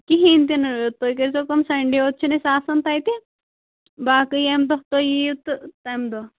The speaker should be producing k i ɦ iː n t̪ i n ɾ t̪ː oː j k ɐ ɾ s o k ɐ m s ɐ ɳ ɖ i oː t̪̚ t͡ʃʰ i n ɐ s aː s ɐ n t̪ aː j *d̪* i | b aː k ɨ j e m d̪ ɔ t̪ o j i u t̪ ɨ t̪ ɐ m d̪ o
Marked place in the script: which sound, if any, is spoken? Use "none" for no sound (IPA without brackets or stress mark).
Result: t̪